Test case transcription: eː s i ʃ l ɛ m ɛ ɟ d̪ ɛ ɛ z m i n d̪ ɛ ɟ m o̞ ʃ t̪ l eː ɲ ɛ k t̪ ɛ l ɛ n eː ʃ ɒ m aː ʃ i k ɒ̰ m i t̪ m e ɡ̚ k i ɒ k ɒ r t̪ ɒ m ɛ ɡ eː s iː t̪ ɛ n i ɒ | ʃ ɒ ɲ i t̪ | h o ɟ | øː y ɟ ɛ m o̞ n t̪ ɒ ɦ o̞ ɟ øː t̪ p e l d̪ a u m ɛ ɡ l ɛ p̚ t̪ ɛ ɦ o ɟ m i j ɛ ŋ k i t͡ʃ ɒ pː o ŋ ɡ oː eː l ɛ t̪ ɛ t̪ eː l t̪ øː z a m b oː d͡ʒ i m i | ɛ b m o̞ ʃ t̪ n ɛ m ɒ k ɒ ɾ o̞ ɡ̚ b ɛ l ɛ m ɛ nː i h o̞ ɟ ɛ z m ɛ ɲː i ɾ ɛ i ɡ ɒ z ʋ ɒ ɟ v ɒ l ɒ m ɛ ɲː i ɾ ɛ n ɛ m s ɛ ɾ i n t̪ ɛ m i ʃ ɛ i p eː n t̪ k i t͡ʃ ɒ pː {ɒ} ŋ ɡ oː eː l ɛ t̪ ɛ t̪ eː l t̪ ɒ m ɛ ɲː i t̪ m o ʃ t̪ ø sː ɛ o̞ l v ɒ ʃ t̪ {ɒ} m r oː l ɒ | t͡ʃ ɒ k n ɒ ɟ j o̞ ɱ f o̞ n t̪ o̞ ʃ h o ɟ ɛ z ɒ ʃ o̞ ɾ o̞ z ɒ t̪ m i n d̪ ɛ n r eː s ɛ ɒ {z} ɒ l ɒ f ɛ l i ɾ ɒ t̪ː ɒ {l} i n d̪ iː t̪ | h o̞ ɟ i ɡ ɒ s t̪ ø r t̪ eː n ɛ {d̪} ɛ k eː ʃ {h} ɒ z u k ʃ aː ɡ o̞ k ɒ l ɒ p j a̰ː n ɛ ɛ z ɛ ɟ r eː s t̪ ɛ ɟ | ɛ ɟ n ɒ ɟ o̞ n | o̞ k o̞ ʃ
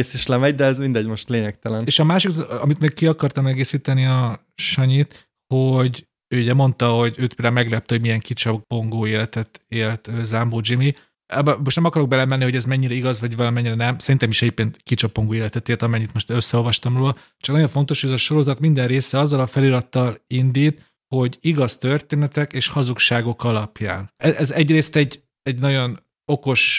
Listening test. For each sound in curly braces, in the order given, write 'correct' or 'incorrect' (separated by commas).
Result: incorrect, correct, incorrect, correct, incorrect, correct